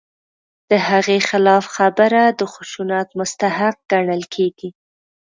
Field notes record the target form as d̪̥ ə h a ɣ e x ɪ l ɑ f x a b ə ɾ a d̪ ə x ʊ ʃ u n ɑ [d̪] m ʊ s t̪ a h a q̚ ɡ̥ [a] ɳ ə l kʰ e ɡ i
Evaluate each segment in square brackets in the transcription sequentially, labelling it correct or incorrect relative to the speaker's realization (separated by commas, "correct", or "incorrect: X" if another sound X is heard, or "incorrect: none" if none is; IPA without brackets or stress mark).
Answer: incorrect: t̪, correct